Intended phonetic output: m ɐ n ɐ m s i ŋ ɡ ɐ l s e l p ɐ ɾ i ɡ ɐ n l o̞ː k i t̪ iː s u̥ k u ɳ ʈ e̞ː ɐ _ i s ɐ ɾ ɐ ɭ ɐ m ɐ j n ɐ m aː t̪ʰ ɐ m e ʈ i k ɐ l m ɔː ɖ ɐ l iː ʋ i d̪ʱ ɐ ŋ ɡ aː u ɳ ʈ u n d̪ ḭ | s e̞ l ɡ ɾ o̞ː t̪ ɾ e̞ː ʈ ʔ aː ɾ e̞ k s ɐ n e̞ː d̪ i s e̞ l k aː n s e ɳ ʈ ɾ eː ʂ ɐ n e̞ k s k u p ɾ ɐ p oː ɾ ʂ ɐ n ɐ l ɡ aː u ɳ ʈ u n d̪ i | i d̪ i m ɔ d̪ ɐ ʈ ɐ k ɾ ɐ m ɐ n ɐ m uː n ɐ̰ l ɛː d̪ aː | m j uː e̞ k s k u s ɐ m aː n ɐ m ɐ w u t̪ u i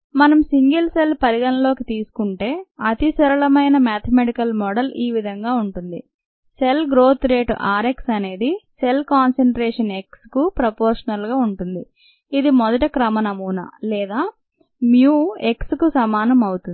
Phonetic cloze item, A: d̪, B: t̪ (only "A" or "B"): B